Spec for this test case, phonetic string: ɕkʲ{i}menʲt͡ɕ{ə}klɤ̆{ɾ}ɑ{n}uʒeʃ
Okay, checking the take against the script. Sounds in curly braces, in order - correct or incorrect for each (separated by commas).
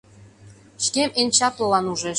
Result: incorrect, incorrect, incorrect, correct